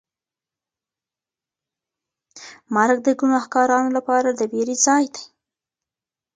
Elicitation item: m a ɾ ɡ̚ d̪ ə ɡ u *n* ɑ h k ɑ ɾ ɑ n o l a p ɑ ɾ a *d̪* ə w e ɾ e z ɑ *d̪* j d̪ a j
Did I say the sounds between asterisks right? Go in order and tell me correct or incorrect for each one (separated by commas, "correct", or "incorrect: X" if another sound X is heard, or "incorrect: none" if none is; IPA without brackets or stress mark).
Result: correct, correct, incorrect: none